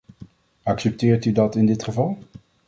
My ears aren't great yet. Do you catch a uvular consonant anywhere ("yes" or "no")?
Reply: yes